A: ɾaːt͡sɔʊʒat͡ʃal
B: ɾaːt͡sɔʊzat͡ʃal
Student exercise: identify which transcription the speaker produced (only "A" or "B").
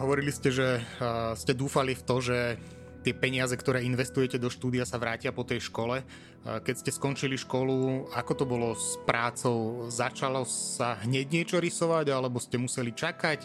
B